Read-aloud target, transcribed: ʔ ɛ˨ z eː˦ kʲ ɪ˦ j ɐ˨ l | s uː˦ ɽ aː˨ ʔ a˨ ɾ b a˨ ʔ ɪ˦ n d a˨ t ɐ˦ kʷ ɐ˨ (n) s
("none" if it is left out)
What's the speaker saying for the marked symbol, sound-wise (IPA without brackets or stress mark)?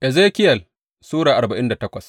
none